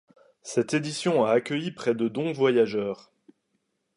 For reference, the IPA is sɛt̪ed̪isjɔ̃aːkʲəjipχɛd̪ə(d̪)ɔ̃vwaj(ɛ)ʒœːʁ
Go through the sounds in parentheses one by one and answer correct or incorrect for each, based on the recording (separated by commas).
correct, incorrect